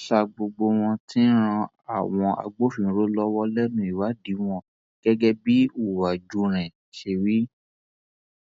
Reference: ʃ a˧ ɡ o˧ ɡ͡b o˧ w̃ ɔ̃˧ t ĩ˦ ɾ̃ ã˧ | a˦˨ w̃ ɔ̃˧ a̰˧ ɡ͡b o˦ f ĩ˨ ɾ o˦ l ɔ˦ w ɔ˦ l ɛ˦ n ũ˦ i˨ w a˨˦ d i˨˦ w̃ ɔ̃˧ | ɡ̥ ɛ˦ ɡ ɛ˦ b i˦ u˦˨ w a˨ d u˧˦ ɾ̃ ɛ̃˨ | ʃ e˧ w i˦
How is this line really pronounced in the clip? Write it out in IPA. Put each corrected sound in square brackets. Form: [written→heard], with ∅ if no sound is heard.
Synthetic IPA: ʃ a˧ [ɡ→ɡ͡b] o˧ ɡ͡b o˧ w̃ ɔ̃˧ t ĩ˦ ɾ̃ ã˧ | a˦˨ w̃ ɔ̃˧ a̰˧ ɡ͡b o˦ f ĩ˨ ɾ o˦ l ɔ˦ w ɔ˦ l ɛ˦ n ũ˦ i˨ w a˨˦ d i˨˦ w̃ ɔ̃˧ | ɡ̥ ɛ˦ ɡ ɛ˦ b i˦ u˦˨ w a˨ [d→d͡ʒ] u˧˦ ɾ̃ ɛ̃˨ | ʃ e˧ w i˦